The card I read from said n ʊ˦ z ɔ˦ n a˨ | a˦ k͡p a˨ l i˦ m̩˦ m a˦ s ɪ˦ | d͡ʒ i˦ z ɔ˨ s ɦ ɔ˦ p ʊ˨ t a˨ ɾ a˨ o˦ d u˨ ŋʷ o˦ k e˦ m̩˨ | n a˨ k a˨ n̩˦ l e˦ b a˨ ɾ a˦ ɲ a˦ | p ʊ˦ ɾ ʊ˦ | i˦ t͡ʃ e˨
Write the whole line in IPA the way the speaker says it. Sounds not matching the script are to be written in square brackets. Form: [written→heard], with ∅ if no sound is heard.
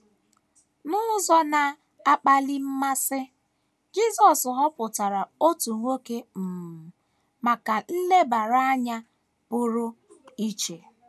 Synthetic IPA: n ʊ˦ z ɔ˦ n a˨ | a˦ k͡p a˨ l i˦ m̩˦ m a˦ s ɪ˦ | d͡ʒ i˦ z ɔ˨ s ɦ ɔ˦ p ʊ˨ t a˨ ɾ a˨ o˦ [d→t] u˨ ŋʷ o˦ k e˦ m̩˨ | [n→m] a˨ k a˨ n̩˦ l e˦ b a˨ ɾ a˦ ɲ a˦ | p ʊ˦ ɾ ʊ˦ | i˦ t͡ʃ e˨